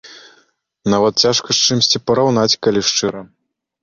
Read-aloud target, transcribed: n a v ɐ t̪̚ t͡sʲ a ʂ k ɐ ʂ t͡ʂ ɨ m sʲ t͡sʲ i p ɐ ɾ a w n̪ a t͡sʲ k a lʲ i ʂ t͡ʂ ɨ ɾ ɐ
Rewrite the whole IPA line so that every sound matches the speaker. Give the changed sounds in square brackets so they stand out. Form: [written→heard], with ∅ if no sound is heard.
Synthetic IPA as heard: n a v ɐ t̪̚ t͡sʲ a ʂ k ɐ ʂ t͡ʂ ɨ m sʲ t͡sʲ i p ɐ ɾ a w n̪ a t͡sʲ k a lʲ i ʂ t͡ʂ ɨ ɾ ɐ